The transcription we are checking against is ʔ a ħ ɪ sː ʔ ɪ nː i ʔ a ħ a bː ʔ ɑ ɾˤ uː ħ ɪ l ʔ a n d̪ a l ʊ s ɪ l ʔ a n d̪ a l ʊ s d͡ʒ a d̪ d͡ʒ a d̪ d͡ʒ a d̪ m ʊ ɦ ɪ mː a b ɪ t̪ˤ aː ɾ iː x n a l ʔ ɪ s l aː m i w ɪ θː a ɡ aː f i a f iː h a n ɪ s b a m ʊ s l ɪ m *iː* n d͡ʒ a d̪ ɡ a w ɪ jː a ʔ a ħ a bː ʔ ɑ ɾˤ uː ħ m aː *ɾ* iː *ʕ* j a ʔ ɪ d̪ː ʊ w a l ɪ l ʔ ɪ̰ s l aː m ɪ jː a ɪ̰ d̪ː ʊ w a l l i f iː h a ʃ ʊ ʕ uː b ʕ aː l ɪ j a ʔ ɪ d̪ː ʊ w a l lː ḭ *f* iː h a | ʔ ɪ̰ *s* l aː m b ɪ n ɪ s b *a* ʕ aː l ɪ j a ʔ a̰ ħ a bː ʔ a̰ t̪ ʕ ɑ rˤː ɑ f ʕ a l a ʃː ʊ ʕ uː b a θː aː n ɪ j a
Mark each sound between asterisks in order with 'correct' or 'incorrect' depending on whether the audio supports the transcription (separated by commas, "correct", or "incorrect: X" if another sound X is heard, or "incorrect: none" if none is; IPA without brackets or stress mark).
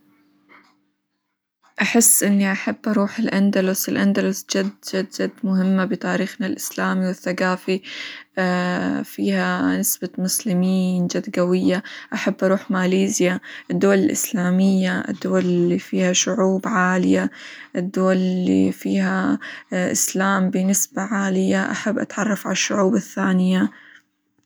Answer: correct, incorrect: l, incorrect: z, correct, correct, correct